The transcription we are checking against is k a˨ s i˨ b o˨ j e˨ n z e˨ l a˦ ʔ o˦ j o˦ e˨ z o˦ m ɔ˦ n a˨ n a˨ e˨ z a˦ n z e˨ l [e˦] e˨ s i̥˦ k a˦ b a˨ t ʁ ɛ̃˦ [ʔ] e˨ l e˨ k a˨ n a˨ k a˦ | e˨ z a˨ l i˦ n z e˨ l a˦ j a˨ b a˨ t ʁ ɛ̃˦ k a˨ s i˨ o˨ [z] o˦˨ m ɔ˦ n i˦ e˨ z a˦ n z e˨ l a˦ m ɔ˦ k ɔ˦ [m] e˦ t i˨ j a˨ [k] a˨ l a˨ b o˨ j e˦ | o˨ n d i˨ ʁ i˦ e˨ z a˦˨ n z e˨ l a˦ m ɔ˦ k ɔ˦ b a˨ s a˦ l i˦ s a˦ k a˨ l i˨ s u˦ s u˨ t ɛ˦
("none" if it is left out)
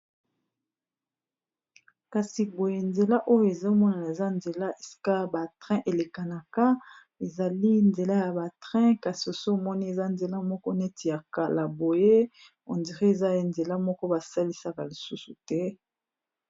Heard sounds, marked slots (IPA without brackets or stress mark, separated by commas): a˦, ʔ, s, n, k